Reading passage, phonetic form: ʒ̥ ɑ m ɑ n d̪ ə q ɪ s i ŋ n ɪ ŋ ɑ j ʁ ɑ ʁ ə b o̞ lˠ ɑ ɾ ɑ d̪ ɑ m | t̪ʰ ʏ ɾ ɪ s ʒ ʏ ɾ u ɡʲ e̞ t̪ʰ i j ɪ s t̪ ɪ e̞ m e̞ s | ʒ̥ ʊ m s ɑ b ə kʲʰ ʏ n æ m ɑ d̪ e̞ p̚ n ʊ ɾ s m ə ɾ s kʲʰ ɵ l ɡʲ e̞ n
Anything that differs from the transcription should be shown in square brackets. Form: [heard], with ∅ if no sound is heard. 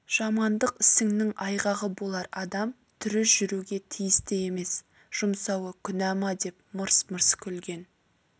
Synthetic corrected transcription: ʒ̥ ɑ m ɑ n d̪ ə q ɪ s [ɪ] ŋ n ɪ ŋ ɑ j ʁ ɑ ʁ ə b o̞ lˠ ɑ ɾ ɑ d̪ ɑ m | t̪ʰ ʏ ɾ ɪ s ʒ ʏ ɾ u ɡʲ e̞ t̪ʰ i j ɪ s t̪ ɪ e̞ m e̞ s | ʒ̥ ʊ m s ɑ [w] ə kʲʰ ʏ n æ m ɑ d̪ e̞ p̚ [m] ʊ ɾ s m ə ɾ s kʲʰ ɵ l ɡʲ e̞ n